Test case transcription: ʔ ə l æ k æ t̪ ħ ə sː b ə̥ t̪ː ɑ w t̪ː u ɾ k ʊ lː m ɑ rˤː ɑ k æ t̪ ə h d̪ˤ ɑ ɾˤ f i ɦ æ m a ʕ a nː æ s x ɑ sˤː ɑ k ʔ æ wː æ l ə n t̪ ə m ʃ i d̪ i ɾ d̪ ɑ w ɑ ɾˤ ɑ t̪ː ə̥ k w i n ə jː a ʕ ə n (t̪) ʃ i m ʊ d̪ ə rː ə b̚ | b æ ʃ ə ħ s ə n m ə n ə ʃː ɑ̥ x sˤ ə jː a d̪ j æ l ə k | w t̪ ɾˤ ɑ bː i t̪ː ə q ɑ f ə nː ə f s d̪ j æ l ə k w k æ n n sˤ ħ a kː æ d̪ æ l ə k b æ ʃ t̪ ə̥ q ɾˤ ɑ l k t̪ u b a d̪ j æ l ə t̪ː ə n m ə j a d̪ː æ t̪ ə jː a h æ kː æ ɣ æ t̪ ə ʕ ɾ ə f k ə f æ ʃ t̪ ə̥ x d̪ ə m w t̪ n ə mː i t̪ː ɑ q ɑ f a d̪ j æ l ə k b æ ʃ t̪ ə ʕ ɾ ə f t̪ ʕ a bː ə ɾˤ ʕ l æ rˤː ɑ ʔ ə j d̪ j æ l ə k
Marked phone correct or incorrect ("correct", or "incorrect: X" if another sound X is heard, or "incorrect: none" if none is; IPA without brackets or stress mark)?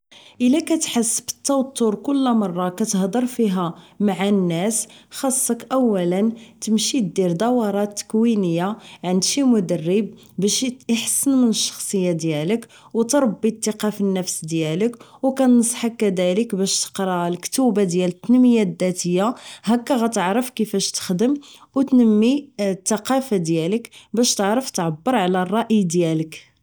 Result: incorrect: d̪